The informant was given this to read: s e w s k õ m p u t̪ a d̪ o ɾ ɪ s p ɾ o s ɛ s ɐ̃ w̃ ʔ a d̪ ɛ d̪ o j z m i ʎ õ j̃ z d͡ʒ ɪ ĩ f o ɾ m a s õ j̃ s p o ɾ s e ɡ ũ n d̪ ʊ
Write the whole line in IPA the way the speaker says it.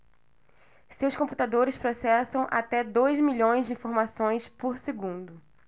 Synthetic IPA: s e w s k õ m p u t̪ a d̪ o ɾ ɪ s p ɾ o s ɛ s ɐ̃ w̃ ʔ a t̪ ɛ d̪ o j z m i ʎ õ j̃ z d͡ʒ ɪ ĩ f o ɾ m a s õ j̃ s p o ɾ s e ɡ ũ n d̪ ʊ